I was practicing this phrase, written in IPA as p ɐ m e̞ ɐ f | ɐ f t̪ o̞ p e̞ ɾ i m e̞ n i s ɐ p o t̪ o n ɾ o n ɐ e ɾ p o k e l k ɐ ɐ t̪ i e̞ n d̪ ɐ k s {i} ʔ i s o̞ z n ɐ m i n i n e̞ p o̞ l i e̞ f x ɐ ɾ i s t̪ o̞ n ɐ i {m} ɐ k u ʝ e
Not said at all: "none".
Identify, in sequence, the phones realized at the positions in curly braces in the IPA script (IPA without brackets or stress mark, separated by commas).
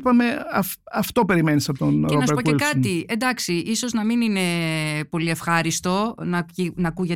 i, n